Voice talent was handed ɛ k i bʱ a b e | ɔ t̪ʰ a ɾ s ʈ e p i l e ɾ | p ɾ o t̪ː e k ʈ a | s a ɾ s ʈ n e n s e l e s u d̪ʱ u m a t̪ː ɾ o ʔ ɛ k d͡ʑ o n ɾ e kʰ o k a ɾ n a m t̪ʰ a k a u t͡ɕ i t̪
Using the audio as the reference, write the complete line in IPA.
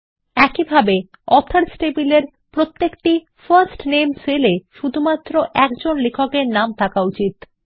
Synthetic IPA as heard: ɛ k i bʱ a b e | ɔ t̪ʰ a ɾ s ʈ e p i l e ɾ | p ɾ o t̪ː e k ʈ i | f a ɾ s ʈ n e m s e l e ʃ u d̪ʱ u m a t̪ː ɾ o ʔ ɛ k d͡ʑ o n l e kʰ o k e ɾ n a m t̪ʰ a k a u t͡ɕ i t̪